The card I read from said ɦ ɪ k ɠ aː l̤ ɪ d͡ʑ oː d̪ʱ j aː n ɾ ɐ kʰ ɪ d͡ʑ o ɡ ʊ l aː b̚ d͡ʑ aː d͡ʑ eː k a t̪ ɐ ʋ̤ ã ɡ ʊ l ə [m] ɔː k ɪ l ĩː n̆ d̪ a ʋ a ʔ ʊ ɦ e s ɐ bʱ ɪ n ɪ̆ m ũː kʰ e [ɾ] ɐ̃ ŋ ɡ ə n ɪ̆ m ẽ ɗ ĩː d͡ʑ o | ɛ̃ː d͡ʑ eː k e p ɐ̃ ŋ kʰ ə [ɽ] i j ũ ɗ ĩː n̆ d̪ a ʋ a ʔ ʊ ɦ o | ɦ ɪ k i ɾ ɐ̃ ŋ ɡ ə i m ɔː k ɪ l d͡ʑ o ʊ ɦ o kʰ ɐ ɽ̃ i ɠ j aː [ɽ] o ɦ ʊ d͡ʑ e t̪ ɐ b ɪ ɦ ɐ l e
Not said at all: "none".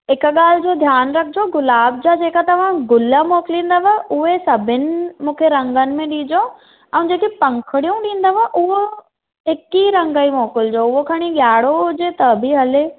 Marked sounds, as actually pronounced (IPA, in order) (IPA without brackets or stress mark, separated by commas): m, ɾ, ɽ, ɽ